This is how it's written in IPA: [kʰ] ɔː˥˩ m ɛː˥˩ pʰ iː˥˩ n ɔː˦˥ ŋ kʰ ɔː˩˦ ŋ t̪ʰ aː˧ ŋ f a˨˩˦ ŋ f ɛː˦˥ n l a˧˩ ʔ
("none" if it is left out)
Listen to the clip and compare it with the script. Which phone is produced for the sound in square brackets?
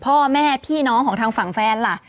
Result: pʰ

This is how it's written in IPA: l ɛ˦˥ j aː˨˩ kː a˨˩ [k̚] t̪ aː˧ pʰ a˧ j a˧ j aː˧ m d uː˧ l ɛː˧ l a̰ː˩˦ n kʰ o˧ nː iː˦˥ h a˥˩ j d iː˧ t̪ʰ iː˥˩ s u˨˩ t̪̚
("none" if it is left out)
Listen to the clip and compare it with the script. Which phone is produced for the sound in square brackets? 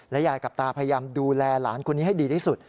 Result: p̚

